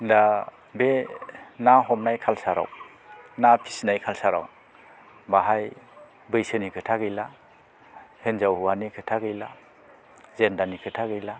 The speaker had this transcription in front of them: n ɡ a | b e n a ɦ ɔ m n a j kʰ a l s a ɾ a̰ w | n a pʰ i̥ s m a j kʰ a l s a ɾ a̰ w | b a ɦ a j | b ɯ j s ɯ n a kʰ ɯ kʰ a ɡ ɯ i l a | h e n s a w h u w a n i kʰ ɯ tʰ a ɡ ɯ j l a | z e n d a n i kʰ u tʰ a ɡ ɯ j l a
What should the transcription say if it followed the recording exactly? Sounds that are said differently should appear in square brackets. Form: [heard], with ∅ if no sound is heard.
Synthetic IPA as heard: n [d] a | b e n a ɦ ɔ m n a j kʰ a l s a ɾ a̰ w | n a pʰ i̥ s [n] a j kʰ a l s a ɾ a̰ w | b a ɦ a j | b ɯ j s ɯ n [i] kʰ ɯ [tʰ] a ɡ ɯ [j] l a | h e n [z] a w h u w a n i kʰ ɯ tʰ a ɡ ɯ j l a | z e n d a n i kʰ [ɯ] tʰ a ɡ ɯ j l a